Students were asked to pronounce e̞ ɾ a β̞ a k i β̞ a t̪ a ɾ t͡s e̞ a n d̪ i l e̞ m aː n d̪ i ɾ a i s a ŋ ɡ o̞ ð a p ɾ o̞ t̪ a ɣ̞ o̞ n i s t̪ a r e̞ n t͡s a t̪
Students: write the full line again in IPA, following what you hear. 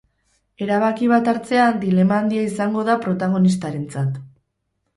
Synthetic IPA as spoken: e̞ ɾ a β̞ a k i β̞ a t̪ a ɾ t͡s e̞ a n d̪ i l e̞ m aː n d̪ i a i s a ŋ ɡ o̞ ð a p ɾ o̞ t̪ a ɣ̞ o̞ n i s t̪ a ɾ e̞ n t͡s a t̪

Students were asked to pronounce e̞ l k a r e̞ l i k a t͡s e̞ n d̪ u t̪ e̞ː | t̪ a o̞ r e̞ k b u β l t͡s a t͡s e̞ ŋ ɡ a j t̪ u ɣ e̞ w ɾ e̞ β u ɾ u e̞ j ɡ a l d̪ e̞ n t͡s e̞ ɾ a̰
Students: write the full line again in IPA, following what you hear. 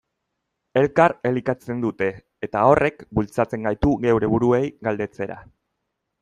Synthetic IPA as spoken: e̞ l k a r e̞ l i k a t͡s e̞ n d̪ u t̪ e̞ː | t̪ a o̞ r e̞ k b u l t͡s a t͡s e̞ ŋ ɡ a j t̪ u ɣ e̞ w ɾ e̞ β u ɾ u e̞ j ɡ a l d̪ e̞ t͡s e̞ ɾ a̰

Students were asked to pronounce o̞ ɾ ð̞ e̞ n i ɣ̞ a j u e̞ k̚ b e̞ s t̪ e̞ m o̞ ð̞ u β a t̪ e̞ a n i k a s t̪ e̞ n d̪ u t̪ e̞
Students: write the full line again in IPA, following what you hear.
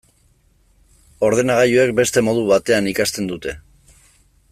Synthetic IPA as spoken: o̞ ɾ ð̞ e̞ n a ɣ̞ a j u e̞ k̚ b e̞ s t̪ e̞ m o̞ ð̞ u β a t̪ e̞ a n i k a s t̪ e̞ n d̪ u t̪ e̞

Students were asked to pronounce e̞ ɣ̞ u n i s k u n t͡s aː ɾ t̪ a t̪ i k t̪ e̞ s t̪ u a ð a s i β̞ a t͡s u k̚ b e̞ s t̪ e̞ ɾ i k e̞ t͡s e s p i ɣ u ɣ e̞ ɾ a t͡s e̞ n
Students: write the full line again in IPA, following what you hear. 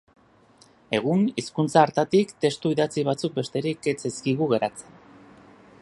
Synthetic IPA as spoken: e̞ ɣ̞ u n i s k u n t͡s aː ɾ t̪ a t̪ i k t̪ e̞ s t̪ u i ð a t͡s i β̞ a t͡s u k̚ b e̞ s t̪ e̞ ɾ i k e̞ t͡s e s k i ɣ u ɣ e̞ ɾ a t͡s e̞ n

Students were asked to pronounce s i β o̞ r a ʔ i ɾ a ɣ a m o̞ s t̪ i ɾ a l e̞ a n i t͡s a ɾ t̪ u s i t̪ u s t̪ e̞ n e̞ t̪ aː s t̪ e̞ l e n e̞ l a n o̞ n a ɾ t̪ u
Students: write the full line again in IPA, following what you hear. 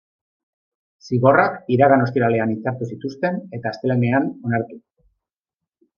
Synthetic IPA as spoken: s i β o̞ r a k i ɾ a ɣ a n o̞ s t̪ i ɾ a l e̞ a n i t͡s a ɾ t̪ u s i t̪ u s t̪ e̞ n e̞ t̪ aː s t̪ e̞ l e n e̞ a n o̞ n a ɾ t̪ u

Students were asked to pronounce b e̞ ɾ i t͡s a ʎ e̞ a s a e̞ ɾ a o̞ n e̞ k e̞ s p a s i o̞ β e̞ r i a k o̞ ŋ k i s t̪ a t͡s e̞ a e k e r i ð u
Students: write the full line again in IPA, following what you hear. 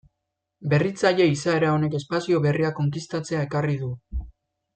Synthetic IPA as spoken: b e̞ r i t͡s a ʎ e̞ i s a e̞ ɾ a o̞ n e̞ k e̞ s p a s i o̞ β e̞ r i a k o̞ ŋ k i s t̪ a t͡s e̞ a e k a r i ð u

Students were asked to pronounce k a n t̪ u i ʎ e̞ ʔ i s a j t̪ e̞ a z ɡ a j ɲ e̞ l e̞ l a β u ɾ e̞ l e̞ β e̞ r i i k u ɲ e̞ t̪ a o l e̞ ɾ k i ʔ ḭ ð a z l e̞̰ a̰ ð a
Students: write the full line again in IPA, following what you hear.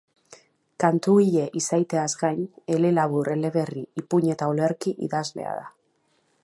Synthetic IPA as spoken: k a n t̪ u i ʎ e̞ ʔ i s a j t̪ e̞ a z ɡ a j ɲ e̞ l e̞ l a β u ɾ e̞ l e̞ β e̞ r i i p u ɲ e̞ t̪ a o l e̞ ɾ k i ʔ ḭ ð a z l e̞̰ a̰ ð a

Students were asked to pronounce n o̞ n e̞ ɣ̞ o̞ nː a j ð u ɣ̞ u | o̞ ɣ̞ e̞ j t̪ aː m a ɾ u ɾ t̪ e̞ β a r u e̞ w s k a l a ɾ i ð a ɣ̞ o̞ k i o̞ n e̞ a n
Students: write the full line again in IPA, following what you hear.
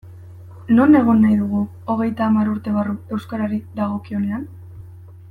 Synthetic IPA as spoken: n o̞ n e̞ ɣ̞ o̞ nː a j ð u ɣ̞ u | o̞ ɣ̞ e̞ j t̪ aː m a ɾ u ɾ t̪ e̞ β a r u e̞ w s k a ɾ a ɾ i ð a ɣ̞ o̞ k i o̞ n e̞ a n

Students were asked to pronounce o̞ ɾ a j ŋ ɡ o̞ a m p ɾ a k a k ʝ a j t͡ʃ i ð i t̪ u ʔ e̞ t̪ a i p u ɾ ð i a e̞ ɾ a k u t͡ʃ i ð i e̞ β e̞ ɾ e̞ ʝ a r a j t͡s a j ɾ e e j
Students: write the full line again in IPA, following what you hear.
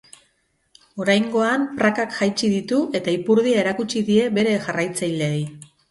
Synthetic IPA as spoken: o̞ ɾ a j ŋ ɡ o̞ a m p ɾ a k a k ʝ a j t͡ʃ i ð i t̪ u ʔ e̞ t̪ a i p u ɾ ð i a e̞ ɾ a k u t͡ʃ i ð i e̞ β e̞ ɾ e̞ ʝ a r a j t͡s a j l e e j

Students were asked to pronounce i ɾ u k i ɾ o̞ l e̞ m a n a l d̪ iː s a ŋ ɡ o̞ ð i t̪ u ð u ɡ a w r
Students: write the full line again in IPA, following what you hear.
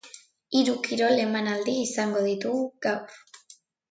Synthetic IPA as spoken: i ɾ u k i ɾ o̞ l e̞ m a n a l d̪ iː s a ŋ ɡ o̞ ð i t̪ u ɣ u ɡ a w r

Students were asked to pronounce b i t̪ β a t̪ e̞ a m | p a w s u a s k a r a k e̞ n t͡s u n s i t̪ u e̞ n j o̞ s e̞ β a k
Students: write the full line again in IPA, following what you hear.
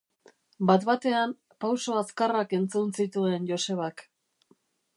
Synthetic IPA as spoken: b a t̪ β a t̪ e̞ a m | p a w s o a s k a r a k e̞ n t͡s u n s i t̪ u e̞ n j o̞ s e̞ β a k

